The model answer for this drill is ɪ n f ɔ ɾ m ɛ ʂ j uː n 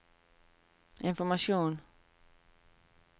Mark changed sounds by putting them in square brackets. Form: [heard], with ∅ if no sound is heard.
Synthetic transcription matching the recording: ɪ n f ɔ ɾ m [a] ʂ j uː n